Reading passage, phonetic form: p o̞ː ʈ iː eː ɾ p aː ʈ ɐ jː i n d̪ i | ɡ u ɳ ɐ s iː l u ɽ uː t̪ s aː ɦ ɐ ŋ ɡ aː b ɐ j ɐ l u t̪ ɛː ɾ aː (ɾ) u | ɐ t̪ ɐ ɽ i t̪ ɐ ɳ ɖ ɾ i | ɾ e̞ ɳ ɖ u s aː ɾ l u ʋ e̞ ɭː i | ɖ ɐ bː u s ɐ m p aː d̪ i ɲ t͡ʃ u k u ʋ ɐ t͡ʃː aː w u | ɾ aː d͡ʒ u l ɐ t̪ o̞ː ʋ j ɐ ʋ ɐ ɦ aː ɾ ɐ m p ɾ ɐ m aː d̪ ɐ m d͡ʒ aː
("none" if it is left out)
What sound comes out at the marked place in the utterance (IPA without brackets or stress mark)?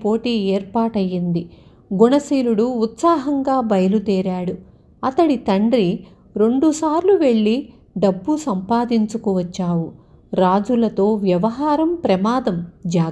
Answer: ɽ